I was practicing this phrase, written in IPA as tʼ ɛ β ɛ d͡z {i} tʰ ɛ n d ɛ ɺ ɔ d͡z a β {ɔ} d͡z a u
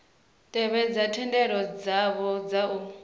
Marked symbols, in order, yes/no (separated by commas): no, yes